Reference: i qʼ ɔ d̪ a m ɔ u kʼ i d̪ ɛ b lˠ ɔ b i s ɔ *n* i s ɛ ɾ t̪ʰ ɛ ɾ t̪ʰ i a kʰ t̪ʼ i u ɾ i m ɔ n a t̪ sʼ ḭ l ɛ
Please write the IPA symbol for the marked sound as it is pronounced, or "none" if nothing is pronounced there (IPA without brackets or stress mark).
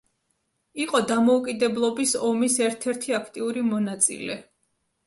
m